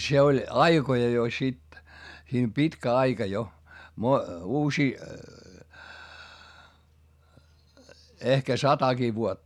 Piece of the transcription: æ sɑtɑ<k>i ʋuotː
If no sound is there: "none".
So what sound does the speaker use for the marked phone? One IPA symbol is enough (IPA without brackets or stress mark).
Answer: k